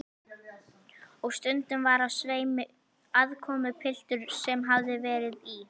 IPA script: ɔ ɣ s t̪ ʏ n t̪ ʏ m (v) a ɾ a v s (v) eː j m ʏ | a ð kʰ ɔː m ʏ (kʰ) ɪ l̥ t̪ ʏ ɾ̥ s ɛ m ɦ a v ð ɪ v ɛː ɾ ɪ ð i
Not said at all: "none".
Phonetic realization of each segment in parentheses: v, v, pʰ

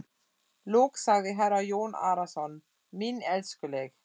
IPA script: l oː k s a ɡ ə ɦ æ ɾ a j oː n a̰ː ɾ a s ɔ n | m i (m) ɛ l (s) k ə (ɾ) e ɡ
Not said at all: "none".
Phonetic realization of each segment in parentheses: n, s, l

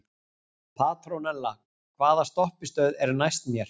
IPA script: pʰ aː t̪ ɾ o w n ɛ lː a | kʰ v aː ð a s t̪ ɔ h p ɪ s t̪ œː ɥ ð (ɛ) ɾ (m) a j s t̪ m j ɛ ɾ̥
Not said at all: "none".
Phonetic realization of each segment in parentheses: ɛ, n

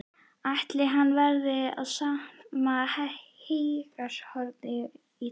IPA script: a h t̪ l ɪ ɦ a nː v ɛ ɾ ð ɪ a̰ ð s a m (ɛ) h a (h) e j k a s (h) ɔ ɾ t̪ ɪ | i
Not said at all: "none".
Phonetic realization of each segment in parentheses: a, h, h

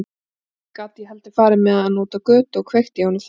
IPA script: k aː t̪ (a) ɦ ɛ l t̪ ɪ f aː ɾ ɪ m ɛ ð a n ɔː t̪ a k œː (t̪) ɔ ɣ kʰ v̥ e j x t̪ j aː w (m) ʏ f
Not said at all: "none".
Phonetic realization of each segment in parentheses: i, t̪, n

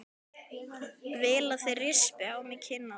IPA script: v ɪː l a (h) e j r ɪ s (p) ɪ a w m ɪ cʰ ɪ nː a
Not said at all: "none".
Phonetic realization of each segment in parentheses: θ, p

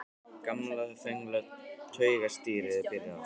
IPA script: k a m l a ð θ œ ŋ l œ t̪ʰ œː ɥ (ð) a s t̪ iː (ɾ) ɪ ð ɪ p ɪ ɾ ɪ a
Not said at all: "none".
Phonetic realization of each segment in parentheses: ɣ, ɾ

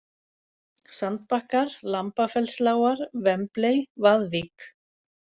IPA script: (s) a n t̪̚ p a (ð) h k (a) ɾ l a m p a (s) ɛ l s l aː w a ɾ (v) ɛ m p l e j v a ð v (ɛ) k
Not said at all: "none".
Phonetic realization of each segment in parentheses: s, none, a, f, v, i

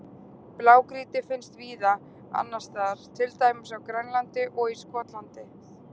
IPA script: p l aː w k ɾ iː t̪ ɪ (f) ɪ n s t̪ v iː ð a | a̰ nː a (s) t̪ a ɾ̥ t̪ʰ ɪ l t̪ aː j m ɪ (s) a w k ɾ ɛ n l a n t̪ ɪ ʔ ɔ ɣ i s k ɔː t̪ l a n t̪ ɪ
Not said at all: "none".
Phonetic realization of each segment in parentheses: f, s, s

